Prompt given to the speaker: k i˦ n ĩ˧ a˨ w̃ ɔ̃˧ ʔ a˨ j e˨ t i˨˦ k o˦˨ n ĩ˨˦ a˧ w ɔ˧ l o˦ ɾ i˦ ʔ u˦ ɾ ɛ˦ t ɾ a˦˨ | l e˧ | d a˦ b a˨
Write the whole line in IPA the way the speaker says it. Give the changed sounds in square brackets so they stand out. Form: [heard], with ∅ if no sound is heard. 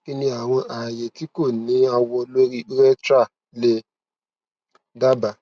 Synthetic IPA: k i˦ n ĩ˧ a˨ w̃ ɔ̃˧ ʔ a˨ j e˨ t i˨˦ k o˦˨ n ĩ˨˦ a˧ w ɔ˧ l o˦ ɾ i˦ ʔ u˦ ɾ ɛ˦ t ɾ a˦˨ | l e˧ | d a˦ b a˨